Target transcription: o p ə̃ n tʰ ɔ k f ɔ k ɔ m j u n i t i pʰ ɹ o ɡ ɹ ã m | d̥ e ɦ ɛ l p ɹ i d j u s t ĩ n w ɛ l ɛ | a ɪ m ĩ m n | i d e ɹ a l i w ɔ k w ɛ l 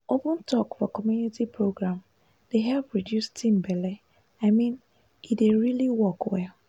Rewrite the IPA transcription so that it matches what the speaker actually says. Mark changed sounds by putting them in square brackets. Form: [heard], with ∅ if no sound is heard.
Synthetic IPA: o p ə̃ n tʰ ɔ k f ɔ k ɔ m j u n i t i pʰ ɹ o ɡ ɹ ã m | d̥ e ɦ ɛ l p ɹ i d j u s t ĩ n [b] ɛ l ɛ | a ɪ m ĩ [∅] n | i d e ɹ [i] l i w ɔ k w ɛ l